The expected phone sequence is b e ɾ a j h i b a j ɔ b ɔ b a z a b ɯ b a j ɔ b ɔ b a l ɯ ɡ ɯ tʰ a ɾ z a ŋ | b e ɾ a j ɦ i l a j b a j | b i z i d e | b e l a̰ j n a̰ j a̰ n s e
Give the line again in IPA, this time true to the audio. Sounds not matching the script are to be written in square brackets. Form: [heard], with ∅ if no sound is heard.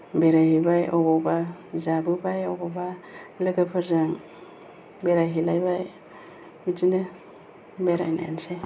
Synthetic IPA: b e ɾ a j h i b a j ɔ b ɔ b a z a b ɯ b a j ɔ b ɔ b a l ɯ ɡ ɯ [pʰ] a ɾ z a ŋ | b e ɾ a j ɦ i l a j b a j | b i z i [n] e | b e [ɾ] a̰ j n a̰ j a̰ n s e